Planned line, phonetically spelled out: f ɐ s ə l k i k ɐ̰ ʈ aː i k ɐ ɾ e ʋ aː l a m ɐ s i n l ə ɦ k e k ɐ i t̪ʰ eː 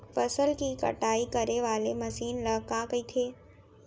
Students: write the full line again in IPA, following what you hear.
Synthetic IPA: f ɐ s ə l k i k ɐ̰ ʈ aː i k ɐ ɾ e ʋ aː l e m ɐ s iː n l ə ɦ k a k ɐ i t̪ʰ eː

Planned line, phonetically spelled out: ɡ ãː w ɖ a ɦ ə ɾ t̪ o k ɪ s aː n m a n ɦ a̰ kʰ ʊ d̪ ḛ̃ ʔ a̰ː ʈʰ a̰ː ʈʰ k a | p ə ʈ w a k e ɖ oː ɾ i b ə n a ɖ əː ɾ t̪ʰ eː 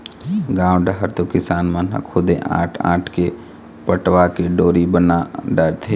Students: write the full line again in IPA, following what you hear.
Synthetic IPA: ɡ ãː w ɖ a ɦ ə ɾ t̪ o k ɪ s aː n m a n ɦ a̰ kʰ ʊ d̪ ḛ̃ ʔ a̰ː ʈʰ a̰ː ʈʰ k e | p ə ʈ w a k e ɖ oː ɾ i b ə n a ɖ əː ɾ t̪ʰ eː

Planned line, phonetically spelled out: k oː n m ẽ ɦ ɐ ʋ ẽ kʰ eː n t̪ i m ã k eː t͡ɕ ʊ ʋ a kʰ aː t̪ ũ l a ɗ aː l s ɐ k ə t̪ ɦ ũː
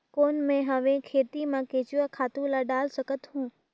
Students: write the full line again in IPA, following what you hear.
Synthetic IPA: k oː n m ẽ ɦ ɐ ʋ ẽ kʰ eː t̪ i m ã k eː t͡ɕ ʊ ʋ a kʰ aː t̪ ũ l a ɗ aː l s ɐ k ə t̪ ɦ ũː

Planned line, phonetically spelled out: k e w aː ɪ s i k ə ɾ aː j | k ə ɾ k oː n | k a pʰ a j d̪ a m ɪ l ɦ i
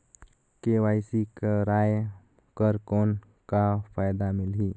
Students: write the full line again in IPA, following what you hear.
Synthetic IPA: k e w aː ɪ s i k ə ɾ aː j | k ə ɾ k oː n | k a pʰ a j d̪ a m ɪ l ɦ i

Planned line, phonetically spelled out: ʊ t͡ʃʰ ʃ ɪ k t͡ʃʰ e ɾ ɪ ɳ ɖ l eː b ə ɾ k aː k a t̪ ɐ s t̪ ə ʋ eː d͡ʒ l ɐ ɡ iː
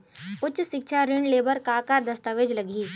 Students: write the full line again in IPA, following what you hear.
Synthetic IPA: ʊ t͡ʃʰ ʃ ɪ k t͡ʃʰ a ɾ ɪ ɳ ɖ l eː b ə ɾ k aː k a d̪ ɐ s t̪ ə ʋ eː d͡ʒ l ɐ ɡ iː

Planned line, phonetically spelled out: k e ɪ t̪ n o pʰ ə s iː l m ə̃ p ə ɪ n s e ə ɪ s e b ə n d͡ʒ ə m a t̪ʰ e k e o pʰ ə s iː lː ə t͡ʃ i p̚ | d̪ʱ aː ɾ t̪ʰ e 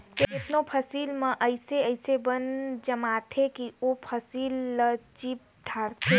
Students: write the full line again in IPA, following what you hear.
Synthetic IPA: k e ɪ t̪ n o pʰ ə s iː l m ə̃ ʔ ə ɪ s e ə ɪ s e b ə n d͡ʒ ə m a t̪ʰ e k i o pʰ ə s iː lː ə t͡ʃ i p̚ | d̪ʱ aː ɾ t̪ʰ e

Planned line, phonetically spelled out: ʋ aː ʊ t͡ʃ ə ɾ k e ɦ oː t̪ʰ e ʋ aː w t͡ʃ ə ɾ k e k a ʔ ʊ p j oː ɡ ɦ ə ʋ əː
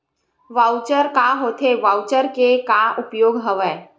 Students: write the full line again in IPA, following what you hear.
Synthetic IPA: ʋ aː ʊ t͡ʃ ə ɾ k a ɦ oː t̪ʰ e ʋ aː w t͡ʃ ə ɾ k e k a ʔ ʊ p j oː ɡ ɦ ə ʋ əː

